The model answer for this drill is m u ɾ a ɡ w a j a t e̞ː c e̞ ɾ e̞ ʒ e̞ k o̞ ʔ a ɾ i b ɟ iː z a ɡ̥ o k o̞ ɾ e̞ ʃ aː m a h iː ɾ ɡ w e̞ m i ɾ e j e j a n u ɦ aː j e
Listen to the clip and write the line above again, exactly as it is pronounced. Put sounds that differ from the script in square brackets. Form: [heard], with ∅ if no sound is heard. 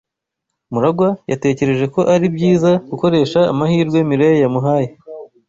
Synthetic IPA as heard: m u ɾ a ɡ w a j a t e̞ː c e̞ ɾ e̞ ʒ e̞ k o̞ ʔ a ɾ i b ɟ iː z a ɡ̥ [u] k o̞ ɾ e̞ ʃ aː m a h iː ɾ ɡ w e̞ m i ɾ e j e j a [m] u ɦ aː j e